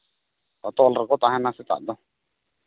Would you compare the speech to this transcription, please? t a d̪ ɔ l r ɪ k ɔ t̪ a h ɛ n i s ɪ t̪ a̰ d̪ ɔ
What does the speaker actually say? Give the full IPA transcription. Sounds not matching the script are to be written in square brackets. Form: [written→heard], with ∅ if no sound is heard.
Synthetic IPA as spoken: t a [d̪→t̪] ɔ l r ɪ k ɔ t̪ a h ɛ n [i→a] s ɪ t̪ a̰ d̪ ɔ